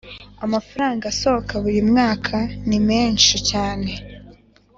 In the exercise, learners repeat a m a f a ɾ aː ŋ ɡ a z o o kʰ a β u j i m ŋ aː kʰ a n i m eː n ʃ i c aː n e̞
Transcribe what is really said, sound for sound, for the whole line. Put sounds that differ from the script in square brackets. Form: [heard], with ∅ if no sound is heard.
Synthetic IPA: a m a f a ɾ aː ŋ ɡ a [s] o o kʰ a β u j i m ŋ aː kʰ a n i m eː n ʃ i c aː n e̞